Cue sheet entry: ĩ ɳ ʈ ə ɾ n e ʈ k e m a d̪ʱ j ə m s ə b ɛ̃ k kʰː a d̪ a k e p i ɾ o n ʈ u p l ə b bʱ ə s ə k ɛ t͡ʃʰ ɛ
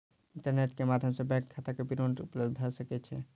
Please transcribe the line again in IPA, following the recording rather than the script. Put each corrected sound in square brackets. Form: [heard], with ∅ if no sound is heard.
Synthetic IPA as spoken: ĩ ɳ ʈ ə ɾ n e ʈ k e m a d̪ʱ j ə m s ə b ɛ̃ k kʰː a [t̪] a k e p i ɾ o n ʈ u p l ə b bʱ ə s ə k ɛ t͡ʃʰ ɛ